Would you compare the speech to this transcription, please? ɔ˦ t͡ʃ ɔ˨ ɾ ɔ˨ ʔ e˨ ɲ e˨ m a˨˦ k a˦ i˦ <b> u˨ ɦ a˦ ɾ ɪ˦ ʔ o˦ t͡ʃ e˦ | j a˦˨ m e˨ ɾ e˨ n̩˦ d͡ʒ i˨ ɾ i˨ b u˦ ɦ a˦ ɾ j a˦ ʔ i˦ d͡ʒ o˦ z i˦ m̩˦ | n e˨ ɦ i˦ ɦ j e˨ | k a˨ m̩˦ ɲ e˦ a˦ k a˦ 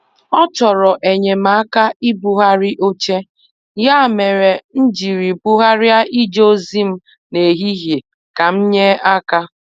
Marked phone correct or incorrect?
correct